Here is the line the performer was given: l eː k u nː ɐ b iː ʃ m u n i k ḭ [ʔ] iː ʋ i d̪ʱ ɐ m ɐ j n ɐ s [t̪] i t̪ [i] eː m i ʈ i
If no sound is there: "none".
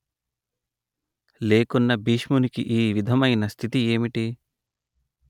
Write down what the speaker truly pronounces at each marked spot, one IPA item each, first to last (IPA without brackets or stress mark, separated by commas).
ʔ, t̪ʰ, i